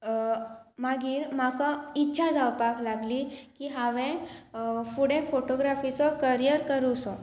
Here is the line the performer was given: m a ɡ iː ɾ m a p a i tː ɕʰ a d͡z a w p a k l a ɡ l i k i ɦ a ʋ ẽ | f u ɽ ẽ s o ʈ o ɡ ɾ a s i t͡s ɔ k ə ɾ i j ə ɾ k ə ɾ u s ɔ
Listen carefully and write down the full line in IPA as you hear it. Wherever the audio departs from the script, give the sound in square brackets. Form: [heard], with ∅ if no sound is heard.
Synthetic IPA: m a ɡ iː ɾ m a [k] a i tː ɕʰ a d͡z a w p a k l a ɡ l i k i ɦ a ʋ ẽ | f u ɽ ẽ [f] o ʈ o ɡ ɾ a [f] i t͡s ɔ k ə ɾ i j ə ɾ k ə ɾ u s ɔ